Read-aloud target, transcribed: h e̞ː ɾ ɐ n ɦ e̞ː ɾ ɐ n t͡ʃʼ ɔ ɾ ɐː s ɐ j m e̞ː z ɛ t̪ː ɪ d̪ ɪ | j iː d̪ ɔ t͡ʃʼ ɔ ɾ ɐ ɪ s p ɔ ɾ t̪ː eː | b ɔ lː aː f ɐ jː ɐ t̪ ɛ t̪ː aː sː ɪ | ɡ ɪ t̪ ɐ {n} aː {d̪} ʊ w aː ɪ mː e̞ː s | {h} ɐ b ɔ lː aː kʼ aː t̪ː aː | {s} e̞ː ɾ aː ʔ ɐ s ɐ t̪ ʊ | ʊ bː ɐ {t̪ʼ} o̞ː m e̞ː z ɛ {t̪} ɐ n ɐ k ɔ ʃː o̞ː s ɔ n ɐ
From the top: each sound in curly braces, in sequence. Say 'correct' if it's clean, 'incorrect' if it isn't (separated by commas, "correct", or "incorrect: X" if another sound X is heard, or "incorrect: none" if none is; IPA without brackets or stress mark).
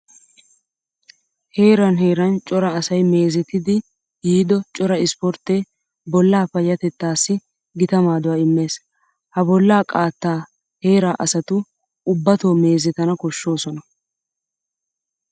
incorrect: m, correct, correct, incorrect: h, incorrect: t̪, correct